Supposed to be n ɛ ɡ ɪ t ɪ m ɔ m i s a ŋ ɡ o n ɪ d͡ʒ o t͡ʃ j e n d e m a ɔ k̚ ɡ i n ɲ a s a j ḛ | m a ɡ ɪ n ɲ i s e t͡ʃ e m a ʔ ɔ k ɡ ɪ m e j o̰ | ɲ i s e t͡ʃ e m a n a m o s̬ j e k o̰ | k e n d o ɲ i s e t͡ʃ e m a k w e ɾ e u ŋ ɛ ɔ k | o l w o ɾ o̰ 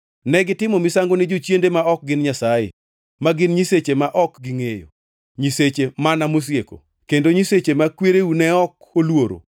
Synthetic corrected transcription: n ɛ ɡ ɪ t ɪ m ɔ m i s a ŋ ɡ o n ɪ d͡ʒ o t͡ʃ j e n d e m a ɔ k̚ ɡ ɪ n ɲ a s a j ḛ | m a ɡ ɪ n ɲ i s e t͡ʃ e m a ʔ ɔ k ɡ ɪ ŋ e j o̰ | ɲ i s e t͡ʃ e m a n a m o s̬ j e k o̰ | k e n d o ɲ i s e t͡ʃ e m a k w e ɾ e u n ɛ ɔ k | o l w o ɾ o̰

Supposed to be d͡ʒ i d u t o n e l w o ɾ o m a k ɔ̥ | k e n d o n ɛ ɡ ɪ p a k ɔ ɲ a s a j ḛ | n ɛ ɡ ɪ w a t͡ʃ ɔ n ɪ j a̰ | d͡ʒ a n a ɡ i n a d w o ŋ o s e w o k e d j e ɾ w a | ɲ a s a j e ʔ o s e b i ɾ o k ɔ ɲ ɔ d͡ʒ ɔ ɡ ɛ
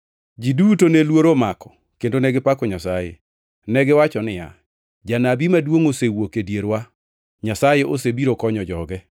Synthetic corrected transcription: d͡ʒ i d u t o n e l w o ɾ o m a k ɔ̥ | k e n d o n ɛ ɡ ɪ p a k ɔ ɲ a s a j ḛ | n ɛ ɡ ɪ w a t͡ʃ ɔ n ɪ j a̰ | d͡ʒ a n a b i m a d w o ŋ o s e w o k e d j e ɾ w a | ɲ a s a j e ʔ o s e b i ɾ o k ɔ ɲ ɔ d͡ʒ ɔ ɡ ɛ

